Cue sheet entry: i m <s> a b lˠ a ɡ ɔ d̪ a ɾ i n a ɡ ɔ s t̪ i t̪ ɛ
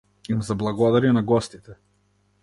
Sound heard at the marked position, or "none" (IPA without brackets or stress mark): z